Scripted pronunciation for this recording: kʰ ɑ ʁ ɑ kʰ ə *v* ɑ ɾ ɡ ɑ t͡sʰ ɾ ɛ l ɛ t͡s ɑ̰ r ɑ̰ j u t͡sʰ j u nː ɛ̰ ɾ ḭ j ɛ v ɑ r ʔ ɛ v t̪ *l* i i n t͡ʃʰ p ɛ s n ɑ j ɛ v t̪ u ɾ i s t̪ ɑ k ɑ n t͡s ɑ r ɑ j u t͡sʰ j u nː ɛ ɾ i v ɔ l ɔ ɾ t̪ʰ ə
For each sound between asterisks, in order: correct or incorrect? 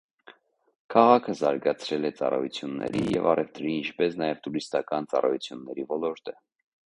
incorrect: z, incorrect: ɾ

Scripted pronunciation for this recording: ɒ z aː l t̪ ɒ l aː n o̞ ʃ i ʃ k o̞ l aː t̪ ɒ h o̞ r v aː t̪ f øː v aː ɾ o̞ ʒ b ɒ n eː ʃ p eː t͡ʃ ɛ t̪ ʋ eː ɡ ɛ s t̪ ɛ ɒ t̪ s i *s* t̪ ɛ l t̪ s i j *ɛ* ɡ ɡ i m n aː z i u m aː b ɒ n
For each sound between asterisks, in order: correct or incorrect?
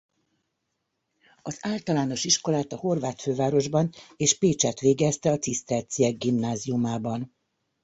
correct, correct

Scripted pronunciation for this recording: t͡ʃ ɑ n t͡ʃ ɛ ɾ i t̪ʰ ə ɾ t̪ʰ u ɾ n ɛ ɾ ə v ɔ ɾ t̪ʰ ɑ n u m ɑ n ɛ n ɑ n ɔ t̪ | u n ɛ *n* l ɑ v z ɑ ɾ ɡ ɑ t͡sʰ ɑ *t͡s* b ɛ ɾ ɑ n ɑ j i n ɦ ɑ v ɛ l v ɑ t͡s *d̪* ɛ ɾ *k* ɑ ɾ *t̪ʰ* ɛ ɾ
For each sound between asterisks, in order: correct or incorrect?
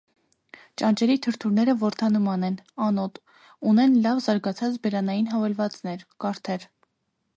correct, correct, incorrect: n̪, correct, correct

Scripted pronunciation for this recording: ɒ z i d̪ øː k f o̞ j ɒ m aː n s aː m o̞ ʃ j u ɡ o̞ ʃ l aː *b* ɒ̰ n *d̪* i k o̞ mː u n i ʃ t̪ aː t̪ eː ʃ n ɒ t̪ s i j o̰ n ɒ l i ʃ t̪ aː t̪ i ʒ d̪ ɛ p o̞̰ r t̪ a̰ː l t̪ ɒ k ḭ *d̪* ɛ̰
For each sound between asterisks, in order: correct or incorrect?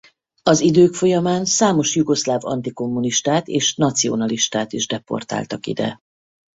incorrect: v, incorrect: t̪, correct

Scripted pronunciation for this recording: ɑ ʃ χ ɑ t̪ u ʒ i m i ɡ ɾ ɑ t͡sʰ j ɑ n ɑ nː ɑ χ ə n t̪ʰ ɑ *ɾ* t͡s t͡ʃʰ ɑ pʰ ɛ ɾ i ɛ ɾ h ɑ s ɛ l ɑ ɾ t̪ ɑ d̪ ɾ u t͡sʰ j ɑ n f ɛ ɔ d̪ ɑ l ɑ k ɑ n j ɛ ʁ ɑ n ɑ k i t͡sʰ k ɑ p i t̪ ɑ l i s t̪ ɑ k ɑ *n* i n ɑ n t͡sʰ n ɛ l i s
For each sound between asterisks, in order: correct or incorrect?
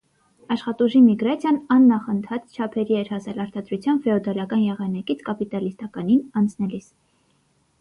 incorrect: none, correct

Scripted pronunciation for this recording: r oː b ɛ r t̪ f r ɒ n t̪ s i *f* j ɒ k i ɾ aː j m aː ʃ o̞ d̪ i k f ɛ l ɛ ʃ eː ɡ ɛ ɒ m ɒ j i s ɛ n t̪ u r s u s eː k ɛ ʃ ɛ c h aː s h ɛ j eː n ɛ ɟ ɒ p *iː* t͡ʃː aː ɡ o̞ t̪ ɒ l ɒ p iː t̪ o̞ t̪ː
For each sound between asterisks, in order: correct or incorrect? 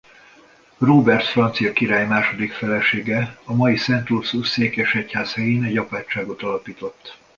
incorrect: none, incorrect: aː

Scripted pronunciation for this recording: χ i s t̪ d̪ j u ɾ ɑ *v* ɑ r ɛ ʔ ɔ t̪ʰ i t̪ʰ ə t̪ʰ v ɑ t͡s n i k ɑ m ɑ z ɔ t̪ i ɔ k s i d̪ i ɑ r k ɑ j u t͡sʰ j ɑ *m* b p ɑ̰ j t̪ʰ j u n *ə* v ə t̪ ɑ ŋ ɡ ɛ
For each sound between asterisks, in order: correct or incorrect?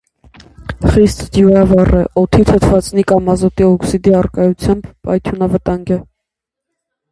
correct, correct, incorrect: ɑ

